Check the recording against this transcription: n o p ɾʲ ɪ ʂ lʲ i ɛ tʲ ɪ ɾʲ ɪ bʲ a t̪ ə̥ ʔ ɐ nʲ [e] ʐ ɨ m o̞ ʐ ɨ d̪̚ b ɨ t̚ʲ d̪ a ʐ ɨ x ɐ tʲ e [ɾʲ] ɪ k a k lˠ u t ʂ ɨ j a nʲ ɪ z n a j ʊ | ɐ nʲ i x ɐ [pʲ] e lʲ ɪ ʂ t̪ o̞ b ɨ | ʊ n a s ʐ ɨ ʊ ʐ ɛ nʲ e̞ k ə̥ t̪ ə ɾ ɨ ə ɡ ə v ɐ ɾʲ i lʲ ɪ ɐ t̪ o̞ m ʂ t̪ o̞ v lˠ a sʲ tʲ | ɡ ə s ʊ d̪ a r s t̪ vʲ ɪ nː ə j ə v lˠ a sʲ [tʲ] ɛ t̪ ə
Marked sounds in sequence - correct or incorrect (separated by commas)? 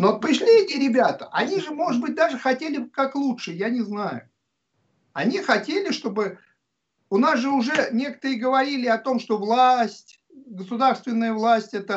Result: incorrect, incorrect, incorrect, correct